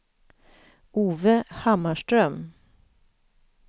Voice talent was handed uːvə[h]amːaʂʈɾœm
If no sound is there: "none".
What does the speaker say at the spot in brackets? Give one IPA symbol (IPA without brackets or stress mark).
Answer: h